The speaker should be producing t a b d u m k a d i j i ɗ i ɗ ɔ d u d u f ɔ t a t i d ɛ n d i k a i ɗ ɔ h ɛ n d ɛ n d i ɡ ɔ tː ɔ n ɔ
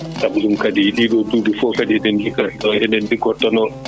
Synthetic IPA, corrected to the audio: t a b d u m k a d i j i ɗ i ɗ ɔ d u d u f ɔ k a d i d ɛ n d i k a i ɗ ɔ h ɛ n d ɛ n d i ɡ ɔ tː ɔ n ɔ